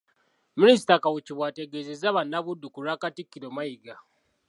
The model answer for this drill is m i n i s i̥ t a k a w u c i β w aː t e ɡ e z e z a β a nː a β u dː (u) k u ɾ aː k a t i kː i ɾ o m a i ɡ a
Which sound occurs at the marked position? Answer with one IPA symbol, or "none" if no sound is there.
u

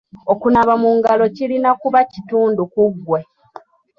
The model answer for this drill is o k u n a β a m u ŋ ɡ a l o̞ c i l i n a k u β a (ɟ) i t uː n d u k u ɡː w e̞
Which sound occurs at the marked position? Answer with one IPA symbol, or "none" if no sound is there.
c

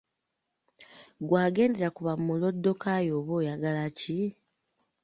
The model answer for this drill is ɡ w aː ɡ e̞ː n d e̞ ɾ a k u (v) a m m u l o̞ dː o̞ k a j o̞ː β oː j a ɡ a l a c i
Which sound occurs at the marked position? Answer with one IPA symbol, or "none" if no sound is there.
β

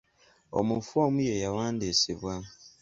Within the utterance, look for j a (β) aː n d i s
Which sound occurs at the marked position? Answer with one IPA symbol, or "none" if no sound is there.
w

